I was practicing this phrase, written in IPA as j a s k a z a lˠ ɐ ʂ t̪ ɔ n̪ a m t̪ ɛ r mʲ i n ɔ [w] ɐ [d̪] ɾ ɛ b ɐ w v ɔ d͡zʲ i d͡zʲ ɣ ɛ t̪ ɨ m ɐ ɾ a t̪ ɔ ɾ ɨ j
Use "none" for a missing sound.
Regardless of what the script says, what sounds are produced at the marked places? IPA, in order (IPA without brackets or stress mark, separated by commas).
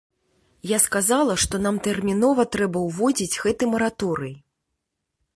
v, t̪